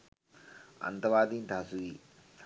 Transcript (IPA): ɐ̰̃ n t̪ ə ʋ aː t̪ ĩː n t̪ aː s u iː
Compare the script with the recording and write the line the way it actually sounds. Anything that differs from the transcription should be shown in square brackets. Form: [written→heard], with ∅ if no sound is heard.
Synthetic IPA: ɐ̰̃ n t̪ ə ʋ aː [t̪→d̪] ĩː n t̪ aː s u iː